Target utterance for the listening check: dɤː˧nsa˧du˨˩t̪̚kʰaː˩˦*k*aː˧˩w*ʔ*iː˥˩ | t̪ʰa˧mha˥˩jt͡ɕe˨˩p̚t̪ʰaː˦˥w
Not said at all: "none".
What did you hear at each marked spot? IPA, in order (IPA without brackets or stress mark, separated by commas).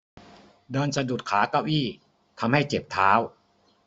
k, ʔ